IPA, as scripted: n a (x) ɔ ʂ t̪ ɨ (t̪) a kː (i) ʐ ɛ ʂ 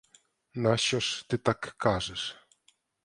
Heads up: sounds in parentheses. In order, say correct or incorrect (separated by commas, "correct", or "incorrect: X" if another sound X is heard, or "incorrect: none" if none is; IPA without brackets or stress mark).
incorrect: ɕ, correct, incorrect: a